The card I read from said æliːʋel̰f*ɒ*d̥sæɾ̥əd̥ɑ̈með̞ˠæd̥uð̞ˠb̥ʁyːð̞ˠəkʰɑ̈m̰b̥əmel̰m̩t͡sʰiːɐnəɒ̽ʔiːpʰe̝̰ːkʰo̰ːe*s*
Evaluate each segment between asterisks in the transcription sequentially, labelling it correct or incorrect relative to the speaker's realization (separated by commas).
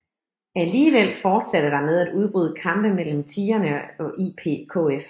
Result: incorrect, incorrect